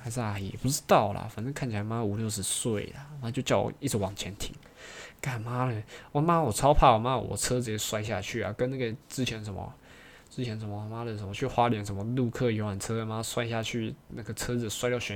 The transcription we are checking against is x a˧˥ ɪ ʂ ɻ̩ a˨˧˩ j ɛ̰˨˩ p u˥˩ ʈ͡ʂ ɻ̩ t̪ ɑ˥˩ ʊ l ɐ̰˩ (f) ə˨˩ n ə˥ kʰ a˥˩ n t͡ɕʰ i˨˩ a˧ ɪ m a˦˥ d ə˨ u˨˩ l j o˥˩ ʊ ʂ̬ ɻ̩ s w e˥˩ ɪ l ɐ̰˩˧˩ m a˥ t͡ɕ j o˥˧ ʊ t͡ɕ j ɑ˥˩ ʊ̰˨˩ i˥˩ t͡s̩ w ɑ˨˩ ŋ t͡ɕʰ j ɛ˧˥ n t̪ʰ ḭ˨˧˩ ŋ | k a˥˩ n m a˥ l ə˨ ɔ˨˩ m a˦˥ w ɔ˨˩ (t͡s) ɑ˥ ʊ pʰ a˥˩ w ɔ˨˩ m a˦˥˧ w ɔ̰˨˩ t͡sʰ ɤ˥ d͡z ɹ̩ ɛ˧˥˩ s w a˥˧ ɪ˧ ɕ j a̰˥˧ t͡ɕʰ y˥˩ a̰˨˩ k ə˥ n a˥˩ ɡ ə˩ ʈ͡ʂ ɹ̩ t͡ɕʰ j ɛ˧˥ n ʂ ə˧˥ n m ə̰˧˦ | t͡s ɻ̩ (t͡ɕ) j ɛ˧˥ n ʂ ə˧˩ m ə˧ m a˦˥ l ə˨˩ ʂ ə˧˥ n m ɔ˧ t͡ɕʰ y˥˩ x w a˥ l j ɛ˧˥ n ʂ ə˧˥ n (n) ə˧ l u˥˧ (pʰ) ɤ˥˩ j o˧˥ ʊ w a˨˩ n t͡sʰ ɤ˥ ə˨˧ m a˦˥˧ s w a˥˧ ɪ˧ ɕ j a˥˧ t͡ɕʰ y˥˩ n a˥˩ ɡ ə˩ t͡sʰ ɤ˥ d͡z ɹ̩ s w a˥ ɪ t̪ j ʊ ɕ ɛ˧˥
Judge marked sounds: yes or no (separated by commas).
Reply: yes, no, no, no, no